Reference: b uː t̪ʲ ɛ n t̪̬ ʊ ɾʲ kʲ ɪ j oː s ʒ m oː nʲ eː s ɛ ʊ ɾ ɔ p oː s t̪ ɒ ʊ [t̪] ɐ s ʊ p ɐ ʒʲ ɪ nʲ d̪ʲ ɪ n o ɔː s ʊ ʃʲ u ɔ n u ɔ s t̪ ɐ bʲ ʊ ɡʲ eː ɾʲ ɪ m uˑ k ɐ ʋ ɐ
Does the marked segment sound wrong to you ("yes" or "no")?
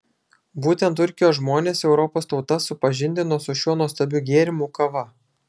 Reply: no